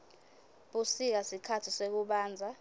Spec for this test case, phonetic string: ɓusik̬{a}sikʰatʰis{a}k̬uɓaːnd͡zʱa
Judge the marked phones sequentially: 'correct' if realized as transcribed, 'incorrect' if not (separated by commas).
correct, incorrect